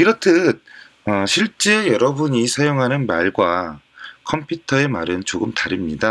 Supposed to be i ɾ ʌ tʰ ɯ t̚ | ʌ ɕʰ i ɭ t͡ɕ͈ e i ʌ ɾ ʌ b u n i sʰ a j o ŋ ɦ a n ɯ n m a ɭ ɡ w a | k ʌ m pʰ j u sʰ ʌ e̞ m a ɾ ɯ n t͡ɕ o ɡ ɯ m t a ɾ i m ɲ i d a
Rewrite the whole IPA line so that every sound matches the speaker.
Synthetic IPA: i ɾ ʌ tʰ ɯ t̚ | ʌ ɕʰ i ɭ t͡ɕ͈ e j ʌ ɾ ʌ b u ɲ i sʰ a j o ŋ ɦ a n ɯ n m a ɭ ɡ w a | kʰ ʌ m pʰ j u tʰ ʌ e̞ m a ɾ ɯ n t͡ɕ o ɡ ɯ m t a ɾ i m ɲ i d a